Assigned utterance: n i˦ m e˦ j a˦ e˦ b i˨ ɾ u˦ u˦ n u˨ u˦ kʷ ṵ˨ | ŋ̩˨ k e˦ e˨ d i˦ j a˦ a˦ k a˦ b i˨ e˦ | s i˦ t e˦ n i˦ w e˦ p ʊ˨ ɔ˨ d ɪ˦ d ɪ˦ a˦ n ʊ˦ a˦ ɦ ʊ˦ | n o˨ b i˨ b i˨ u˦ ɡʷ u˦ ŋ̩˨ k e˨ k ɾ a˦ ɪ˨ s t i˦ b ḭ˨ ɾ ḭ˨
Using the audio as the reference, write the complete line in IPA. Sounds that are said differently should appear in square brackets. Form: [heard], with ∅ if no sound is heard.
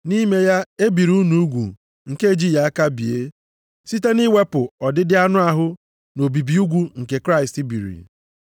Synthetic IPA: n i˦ m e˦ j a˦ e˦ b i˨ ɾ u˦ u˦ n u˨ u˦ [ɡʷ] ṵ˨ | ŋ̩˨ k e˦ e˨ [d͡ʒ] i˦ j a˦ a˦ k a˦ b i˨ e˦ | s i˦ t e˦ n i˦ w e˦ p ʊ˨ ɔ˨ d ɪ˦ d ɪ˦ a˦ n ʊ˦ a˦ ɦ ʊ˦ | n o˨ b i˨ b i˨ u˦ ɡʷ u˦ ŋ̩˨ k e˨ k ɾ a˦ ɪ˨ s t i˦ b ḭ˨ ɾ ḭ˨

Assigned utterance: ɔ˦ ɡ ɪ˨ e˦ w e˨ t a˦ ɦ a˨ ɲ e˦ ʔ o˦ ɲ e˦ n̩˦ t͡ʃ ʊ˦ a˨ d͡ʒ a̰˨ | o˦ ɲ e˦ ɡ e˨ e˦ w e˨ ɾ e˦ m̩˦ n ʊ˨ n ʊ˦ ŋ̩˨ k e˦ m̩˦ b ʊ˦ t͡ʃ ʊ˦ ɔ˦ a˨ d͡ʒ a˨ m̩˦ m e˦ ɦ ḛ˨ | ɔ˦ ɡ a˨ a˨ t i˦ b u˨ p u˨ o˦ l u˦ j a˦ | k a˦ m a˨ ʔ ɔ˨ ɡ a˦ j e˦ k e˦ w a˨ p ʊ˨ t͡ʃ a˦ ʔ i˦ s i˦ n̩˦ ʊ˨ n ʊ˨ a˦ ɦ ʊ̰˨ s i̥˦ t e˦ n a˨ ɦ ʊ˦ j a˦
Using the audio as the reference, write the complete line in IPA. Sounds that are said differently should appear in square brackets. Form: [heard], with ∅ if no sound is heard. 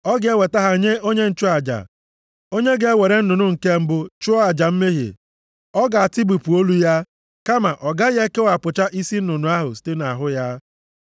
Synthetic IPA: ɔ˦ ɡ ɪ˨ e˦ w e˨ t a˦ ɦ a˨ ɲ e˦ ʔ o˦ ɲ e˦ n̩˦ t͡ʃ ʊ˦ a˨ d͡ʒ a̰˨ | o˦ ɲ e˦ ɡ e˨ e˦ w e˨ ɾ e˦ [n̩˦] n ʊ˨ n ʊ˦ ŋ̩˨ k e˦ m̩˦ b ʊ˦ t͡ʃ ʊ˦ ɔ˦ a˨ d͡ʒ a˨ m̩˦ m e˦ ɦ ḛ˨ | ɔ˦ ɡ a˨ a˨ t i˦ b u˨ p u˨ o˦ l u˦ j a˦ | k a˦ m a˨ ʔ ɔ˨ ɡ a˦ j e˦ k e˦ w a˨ p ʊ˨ t͡ʃ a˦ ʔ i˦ s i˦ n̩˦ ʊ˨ n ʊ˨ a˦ ɦ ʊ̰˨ s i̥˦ t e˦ n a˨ ɦ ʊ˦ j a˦

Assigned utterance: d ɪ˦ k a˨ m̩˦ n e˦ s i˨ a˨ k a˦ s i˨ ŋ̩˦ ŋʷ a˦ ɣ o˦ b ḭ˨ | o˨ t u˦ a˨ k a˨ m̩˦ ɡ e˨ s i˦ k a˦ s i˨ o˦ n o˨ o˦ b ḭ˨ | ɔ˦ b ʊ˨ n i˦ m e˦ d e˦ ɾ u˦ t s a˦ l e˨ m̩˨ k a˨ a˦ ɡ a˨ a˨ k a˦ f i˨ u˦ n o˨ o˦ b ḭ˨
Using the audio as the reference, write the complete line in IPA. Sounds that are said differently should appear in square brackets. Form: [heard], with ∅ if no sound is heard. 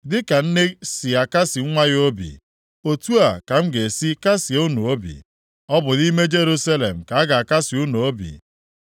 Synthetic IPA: d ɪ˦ k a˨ [n̩˦] n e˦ s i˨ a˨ k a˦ s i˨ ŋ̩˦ ŋʷ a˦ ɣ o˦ b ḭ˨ | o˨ t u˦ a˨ k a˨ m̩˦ ɡ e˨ s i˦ k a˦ s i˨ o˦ n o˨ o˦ b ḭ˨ | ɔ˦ b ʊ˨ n i˦ m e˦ [d͡ʒ] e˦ ɾ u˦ [∅] s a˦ l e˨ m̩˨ k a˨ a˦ ɡ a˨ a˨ k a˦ [s] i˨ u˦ n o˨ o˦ b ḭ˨

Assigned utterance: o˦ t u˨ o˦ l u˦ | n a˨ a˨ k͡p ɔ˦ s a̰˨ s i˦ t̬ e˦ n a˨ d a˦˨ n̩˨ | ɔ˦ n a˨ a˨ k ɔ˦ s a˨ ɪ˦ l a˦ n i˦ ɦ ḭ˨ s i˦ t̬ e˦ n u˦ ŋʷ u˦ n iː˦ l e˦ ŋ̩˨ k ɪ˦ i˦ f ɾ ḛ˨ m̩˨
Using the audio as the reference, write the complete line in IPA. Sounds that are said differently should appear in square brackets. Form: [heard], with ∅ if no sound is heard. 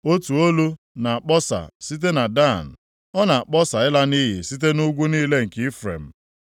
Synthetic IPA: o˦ t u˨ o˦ l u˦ | n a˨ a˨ k͡p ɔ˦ s a̰˨ s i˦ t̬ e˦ n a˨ d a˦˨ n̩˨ | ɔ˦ n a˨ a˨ [k͡p] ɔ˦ s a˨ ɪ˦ l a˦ n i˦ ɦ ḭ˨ s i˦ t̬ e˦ n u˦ [ɡʷ] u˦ n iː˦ l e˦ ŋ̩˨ k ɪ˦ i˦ f ɾ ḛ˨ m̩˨

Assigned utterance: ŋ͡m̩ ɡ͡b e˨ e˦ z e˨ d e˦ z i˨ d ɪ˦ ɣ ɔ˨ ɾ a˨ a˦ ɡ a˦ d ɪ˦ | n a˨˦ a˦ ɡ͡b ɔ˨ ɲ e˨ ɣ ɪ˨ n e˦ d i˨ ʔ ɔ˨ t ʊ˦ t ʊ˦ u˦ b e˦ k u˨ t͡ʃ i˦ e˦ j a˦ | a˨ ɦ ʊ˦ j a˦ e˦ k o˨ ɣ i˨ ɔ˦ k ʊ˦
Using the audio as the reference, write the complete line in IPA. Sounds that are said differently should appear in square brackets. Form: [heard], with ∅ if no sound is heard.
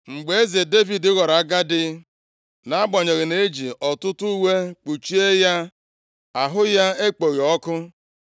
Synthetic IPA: ŋ͡m̩ ɡ͡b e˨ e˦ z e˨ d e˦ [v] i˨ d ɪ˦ ɣ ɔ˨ ɾ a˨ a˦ ɡ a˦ d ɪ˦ | n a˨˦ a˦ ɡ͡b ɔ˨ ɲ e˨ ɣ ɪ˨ n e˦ [d͡ʒ] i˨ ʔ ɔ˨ t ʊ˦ t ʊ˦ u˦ [w] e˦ [k͡p] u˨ t͡ʃ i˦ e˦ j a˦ | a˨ ɦ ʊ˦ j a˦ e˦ [k͡p] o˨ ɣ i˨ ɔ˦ k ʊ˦

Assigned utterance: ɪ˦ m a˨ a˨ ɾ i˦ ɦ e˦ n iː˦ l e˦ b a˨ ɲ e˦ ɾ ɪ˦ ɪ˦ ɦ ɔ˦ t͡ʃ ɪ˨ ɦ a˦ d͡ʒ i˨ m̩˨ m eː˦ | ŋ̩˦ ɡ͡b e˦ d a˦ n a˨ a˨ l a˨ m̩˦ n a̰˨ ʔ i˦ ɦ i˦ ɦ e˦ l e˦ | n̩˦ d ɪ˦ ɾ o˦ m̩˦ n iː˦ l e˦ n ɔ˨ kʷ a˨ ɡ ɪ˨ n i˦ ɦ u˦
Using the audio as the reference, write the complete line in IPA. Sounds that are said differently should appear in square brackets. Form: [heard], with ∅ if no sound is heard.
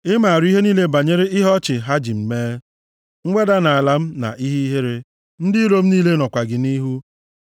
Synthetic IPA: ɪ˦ m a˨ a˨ ɾ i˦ ɦ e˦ n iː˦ l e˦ b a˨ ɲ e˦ ɾ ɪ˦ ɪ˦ ɦ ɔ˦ t͡ʃ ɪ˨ ɦ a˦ d͡ʒ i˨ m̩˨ m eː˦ | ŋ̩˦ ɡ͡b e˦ d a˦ n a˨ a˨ l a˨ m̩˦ n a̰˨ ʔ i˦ ɦ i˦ ɦ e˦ [ɾ] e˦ | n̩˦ d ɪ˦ ɾ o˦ m̩˦ n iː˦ l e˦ n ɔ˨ kʷ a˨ ɡ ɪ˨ n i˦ ɦ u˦

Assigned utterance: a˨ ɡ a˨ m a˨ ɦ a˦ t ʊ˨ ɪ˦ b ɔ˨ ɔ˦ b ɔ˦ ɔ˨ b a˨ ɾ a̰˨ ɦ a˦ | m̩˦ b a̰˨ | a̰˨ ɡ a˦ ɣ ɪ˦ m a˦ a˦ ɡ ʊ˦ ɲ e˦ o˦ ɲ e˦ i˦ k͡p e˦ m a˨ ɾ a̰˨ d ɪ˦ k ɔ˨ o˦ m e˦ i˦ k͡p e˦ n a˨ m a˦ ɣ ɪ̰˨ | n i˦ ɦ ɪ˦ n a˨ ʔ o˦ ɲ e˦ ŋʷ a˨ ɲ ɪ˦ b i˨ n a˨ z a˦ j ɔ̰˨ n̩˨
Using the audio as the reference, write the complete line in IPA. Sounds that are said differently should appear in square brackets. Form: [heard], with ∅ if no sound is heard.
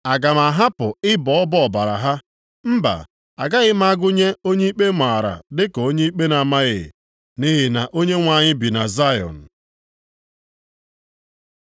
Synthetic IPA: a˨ ɡ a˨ m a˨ ɦ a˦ [p] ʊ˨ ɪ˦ b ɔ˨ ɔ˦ b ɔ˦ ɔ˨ b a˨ ɾ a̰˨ ɦ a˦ | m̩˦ b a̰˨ | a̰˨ ɡ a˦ ɣ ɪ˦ m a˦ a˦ ɡ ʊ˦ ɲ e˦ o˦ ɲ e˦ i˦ k͡p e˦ m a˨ ɾ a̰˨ d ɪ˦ k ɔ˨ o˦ [ɲ] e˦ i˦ k͡p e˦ n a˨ m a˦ ɣ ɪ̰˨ | n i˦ ɦ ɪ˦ n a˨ ʔ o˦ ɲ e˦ ŋʷ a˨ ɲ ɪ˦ b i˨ n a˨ z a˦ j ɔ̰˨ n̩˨

